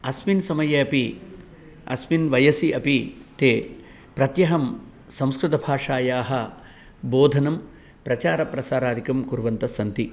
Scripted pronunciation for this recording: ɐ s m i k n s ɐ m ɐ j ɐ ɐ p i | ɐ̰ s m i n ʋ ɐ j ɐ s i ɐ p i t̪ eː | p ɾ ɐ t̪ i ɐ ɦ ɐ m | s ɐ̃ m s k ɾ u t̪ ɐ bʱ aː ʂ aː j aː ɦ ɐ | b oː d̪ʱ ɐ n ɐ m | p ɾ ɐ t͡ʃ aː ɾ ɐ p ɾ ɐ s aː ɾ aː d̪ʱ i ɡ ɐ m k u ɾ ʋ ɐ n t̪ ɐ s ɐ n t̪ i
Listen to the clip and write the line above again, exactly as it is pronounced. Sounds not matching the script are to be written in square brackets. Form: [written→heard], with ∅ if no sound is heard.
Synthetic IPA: ɐ s m i [k→∅] n s ɐ m ɐ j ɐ ɐ p i | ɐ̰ s m i n ʋ ɐ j ɐ s i ɐ p i t̪ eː | p ɾ ɐ t̪ [i→j] ɐ ɦ ɐ m | s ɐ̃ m s k ɾ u t̪ ɐ bʱ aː ʂ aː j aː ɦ ɐ | b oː d̪ʱ ɐ n ɐ m | p ɾ ɐ t͡ʃ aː ɾ ɐ p ɾ ɐ s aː ɾ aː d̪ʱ i [ɡ→k] ɐ m k u ɾ ʋ ɐ n t̪ ɐ s ɐ n t̪ i